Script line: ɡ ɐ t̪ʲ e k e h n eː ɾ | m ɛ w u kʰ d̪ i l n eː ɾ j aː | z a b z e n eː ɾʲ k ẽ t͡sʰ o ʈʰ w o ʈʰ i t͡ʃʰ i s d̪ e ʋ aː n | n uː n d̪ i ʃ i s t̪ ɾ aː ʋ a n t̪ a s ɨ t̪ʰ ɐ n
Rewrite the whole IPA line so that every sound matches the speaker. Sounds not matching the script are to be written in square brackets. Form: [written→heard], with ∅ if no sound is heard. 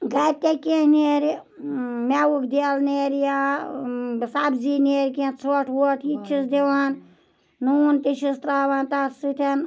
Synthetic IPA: ɡ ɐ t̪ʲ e k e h n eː ɾ | m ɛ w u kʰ d̪ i l n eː ɾ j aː | [z→s] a b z [e→i] n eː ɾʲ k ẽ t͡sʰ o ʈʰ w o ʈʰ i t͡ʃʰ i s d̪ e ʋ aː n | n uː n [d̪→t̪] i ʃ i s t̪ ɾ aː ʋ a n t̪ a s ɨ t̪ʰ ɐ n